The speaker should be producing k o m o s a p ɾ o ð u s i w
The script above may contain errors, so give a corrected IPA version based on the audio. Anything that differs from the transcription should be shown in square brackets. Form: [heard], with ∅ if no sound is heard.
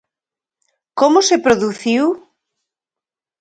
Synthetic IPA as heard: k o m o s [e] p ɾ o ð u [θ] i w

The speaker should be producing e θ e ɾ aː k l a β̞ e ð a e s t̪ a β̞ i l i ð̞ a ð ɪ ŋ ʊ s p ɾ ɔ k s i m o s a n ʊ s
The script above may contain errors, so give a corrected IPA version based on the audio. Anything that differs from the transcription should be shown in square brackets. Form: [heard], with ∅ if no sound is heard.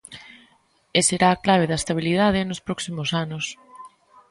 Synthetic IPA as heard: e [s] e ɾ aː k l a β̞ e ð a e s t̪ a β̞ i l i ð̞ a ð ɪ [n] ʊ s p ɾ ɔ k s i m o s a n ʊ s

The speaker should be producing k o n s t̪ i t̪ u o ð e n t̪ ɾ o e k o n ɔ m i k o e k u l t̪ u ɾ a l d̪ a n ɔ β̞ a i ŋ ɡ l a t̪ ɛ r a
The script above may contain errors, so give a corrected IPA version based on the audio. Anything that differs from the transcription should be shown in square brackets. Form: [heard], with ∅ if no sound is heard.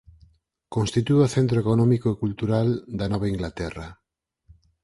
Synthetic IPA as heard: k o n s t̪ i t̪ u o [θ] e n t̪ ɾ o e k o n ɔ m i k o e k u l t̪ u ɾ a l d̪ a n ɔ β̞ a i ŋ ɡ l a t̪ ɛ r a

